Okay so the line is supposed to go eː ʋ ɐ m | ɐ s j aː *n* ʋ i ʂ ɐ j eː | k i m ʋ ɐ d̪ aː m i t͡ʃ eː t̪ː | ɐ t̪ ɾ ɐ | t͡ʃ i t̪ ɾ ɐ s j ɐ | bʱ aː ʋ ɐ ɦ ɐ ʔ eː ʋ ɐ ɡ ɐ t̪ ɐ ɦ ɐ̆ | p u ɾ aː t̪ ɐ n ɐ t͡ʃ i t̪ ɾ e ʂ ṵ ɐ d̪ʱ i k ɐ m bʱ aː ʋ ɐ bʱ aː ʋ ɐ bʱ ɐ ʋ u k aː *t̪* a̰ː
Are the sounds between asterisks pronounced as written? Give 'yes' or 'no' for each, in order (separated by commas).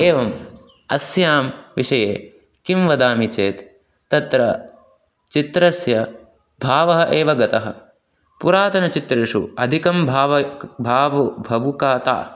no, yes